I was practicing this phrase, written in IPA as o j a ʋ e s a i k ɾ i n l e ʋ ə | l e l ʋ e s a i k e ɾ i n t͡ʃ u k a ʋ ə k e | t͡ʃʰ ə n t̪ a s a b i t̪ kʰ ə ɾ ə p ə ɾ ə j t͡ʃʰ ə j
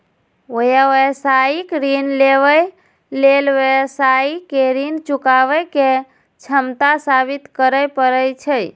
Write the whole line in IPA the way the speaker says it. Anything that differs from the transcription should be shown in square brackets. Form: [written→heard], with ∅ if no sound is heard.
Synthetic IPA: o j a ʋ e s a i k ɾ i n l e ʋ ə | l e l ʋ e s a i k e ɾ i n t͡ʃ u k a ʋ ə k e | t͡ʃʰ ə [n→m] t̪ a s a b i t̪ [kʰ→k] ə ɾ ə p ə ɾ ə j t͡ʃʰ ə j